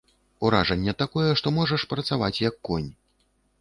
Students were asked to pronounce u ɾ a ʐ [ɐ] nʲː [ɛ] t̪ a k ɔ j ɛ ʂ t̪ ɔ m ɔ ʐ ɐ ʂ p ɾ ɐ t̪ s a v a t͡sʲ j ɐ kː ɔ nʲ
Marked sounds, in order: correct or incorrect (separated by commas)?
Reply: correct, correct